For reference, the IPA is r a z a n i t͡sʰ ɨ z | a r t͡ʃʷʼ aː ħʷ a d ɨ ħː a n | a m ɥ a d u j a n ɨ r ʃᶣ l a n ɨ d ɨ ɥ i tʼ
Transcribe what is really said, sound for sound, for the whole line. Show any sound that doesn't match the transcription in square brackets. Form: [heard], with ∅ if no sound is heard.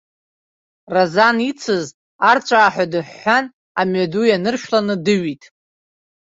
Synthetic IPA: r a z a n i t͡sʰ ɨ z | a r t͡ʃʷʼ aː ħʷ a d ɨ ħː a n | a m ɥ a d u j a n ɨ r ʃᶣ l a n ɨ d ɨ ɥ i tʼ